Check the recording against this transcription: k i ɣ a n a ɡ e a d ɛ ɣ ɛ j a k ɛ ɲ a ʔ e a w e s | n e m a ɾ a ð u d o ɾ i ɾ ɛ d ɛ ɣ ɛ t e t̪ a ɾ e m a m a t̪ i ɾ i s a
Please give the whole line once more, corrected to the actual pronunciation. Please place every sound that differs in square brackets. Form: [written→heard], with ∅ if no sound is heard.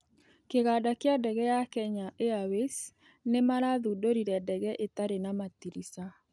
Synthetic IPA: k [i→e] ɣ a [n→d] a [ɡ→k] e a d ɛ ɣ ɛ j a k ɛ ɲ a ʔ e a w e s | n e m a ɾ a ð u d o ɾ i ɾ ɛ d ɛ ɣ ɛ [t→ʔ] e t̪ a ɾ e [m→n] a m a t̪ i ɾ i s a